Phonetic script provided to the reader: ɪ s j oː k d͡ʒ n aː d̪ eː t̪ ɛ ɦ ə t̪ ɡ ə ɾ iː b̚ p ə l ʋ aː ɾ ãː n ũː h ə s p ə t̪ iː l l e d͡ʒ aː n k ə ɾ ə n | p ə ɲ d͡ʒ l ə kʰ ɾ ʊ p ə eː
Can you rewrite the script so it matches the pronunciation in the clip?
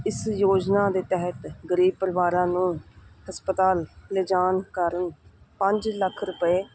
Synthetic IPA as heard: ɪ s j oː d͡ʒ n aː d̪ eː t̪ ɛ ɦ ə t̪ ɡ ə ɾ iː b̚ p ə ɾ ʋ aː ɾ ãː n ũː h ə s p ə t̪ aː l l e d͡ʒ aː n k ə ɾ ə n | p ə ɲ d͡ʒ l ə kʰ ɾ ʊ p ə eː